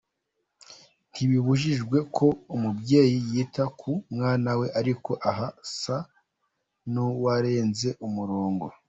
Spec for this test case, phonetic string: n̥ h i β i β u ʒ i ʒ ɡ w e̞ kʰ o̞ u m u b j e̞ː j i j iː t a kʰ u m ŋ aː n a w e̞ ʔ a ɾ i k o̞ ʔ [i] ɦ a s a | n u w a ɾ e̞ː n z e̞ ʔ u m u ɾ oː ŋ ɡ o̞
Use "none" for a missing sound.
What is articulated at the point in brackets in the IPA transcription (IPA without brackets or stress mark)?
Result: a